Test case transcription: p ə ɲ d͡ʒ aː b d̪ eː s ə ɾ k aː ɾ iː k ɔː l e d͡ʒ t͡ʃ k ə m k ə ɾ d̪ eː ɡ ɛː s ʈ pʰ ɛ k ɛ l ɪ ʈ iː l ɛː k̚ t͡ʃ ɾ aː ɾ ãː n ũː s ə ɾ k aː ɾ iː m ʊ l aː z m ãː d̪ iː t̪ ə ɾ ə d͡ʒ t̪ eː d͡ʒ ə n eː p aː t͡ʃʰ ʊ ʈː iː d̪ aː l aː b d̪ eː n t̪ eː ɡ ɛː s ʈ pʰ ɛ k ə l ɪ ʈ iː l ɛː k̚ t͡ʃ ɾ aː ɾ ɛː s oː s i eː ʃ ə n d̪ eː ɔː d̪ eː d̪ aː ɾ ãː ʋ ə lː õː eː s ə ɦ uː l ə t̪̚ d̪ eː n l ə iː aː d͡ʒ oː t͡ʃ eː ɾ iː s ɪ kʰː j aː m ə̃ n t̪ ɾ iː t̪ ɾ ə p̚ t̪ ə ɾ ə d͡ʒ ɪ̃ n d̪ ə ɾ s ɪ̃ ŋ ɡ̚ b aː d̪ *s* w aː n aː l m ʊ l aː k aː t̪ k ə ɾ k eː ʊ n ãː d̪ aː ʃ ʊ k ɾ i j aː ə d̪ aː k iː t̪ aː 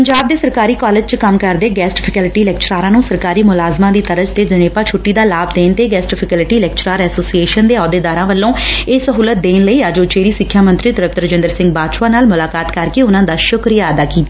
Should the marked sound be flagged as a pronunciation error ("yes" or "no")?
yes